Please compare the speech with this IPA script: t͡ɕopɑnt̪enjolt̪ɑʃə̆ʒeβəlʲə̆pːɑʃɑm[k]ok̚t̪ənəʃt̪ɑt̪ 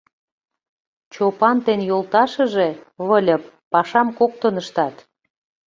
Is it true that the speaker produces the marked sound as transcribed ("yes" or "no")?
yes